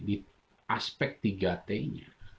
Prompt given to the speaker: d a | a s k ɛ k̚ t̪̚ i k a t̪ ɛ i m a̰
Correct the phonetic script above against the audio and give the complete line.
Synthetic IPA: d i | a s p ɛ k̚ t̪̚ i ɡ a t̪ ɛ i ɲ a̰